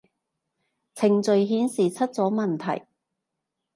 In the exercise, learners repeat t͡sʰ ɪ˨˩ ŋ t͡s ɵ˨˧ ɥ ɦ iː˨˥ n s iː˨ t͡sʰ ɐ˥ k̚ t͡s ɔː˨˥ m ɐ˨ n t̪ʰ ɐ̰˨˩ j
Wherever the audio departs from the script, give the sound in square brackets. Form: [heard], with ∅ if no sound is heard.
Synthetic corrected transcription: t͡sʰ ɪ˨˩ ŋ t͡s ɵ˨˧ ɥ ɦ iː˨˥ n s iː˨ t͡sʰ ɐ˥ [t̚] t͡s ɔː˨˥ m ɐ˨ n t̪ʰ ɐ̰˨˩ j